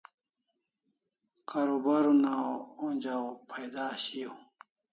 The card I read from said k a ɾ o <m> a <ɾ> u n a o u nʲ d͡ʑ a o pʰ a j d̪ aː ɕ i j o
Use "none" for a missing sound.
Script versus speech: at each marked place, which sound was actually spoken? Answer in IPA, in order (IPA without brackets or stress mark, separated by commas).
b, ɾ